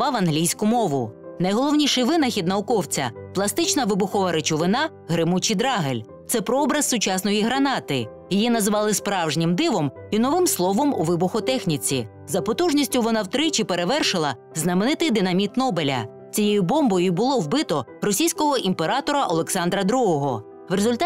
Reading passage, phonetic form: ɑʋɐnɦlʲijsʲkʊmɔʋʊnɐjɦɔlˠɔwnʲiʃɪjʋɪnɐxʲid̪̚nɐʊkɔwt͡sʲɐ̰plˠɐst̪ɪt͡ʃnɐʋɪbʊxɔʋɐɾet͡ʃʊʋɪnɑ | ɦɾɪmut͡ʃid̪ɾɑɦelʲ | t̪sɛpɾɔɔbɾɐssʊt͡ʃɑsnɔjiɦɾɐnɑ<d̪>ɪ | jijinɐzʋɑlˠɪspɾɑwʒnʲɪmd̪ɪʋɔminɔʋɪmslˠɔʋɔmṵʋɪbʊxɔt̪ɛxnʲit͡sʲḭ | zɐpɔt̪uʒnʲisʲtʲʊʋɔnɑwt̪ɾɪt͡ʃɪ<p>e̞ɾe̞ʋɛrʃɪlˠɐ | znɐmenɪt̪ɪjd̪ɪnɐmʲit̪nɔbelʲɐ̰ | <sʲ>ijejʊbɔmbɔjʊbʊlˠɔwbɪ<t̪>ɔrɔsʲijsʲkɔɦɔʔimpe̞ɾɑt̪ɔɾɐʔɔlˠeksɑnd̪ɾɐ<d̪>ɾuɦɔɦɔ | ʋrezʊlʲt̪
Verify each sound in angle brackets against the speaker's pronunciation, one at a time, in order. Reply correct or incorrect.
incorrect, correct, incorrect, correct, correct

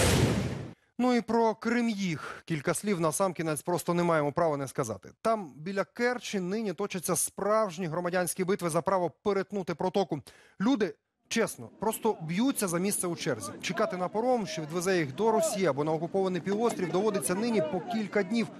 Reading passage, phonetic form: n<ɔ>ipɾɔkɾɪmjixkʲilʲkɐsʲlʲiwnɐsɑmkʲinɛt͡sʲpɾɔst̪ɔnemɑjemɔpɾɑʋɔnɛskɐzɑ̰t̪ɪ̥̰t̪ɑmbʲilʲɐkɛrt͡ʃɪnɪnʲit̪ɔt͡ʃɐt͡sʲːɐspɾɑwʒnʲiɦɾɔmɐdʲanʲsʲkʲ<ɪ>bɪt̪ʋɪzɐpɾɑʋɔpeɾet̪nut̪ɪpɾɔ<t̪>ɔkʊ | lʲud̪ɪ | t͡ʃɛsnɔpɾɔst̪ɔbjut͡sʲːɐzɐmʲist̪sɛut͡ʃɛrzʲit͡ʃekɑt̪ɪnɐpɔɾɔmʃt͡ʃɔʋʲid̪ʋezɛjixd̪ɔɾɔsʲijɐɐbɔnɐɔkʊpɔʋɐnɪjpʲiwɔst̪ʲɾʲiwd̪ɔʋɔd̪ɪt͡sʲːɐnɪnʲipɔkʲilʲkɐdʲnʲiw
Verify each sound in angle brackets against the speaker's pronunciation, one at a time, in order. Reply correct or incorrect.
incorrect, incorrect, correct

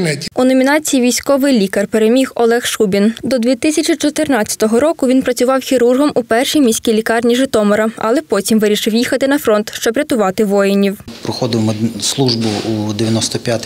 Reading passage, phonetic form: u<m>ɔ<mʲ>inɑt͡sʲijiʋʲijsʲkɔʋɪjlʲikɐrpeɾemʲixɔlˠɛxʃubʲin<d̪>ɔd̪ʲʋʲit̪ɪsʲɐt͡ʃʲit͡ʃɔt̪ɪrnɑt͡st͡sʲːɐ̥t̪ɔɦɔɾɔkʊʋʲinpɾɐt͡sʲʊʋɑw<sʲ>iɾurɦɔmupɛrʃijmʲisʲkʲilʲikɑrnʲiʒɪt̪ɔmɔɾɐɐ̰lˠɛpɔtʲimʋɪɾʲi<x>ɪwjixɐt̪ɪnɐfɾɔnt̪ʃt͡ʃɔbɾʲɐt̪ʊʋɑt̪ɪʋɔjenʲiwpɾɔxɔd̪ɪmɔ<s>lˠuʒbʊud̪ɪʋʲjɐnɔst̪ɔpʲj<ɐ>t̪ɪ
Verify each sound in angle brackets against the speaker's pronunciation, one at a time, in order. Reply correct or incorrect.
incorrect, correct, correct, incorrect, incorrect, correct, incorrect

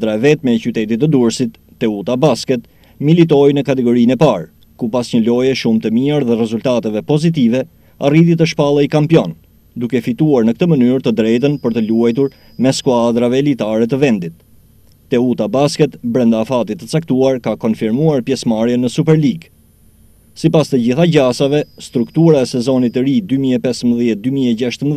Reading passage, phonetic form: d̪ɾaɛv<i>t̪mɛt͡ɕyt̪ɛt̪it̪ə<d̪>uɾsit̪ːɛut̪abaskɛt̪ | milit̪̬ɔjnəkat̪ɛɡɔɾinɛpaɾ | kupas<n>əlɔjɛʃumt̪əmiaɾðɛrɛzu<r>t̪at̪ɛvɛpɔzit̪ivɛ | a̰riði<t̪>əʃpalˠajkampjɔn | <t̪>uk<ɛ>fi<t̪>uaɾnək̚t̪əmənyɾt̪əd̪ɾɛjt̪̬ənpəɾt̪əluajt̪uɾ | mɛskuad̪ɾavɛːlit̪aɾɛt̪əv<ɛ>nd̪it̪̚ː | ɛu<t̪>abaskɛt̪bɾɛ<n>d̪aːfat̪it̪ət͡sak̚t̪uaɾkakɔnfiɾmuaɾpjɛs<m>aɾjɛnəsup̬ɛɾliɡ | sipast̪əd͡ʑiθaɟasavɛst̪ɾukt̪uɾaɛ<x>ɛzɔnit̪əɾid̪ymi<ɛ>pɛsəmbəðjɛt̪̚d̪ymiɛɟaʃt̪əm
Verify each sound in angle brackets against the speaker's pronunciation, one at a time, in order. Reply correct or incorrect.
incorrect, correct, incorrect, incorrect, correct, incorrect, correct, correct, correct, correct, correct, correct, incorrect, correct

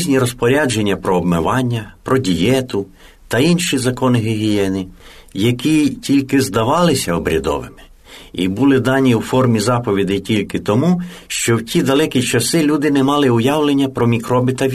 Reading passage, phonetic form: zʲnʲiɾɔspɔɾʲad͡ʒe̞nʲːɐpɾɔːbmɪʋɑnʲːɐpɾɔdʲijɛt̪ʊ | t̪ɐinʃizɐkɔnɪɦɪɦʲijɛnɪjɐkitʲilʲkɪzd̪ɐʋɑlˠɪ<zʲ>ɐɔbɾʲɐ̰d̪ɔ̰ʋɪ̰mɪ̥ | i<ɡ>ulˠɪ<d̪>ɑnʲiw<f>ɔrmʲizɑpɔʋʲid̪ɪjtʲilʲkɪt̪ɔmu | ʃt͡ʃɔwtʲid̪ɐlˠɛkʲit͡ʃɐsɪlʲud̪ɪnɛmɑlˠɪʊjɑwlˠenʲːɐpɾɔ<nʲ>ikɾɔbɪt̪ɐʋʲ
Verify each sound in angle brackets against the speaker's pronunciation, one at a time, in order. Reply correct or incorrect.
incorrect, incorrect, correct, correct, incorrect

